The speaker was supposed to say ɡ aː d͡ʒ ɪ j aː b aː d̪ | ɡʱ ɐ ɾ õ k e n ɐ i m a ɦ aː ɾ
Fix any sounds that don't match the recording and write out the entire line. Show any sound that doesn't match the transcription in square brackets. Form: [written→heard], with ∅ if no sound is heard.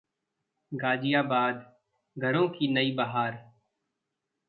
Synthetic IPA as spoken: ɡ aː d͡ʒ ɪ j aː b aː d̪ | ɡʱ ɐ ɾ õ k [e→i] n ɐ i [m→b] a ɦ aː ɾ

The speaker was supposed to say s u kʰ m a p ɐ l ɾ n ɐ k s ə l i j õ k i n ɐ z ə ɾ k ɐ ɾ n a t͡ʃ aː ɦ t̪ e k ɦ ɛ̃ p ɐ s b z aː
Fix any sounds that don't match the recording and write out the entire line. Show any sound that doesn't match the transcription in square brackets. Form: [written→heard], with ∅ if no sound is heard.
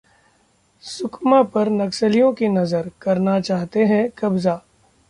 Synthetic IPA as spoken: s [u→ʊ] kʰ m a p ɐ [l→∅] ɾ n ɐ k s ə l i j õ k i n ɐ z ə ɾ k ɐ ɾ n a t͡ʃ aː ɦ t̪ e [k→∅] ɦ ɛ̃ [p→k] ɐ [s→∅] b z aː

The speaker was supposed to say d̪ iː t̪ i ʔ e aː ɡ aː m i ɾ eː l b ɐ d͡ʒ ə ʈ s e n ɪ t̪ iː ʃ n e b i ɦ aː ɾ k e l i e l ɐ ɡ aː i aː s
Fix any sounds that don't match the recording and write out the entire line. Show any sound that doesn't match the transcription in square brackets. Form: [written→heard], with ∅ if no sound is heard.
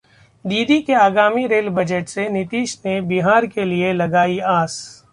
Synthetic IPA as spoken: d̪ iː [t̪→d̪] i [ʔ→k] e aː ɡ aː m i ɾ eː l b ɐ d͡ʒ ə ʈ s e n ɪ t̪ iː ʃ n e b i ɦ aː ɾ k e l i e l ɐ ɡ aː i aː s

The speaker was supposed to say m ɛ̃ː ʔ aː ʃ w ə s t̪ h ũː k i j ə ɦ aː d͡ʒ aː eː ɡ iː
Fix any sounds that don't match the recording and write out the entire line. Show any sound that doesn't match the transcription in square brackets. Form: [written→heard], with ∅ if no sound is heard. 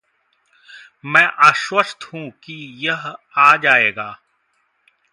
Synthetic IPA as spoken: m ɛ̃ː ʔ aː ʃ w ə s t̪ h ũː k i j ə ɦ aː d͡ʒ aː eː ɡ [iː→aː]

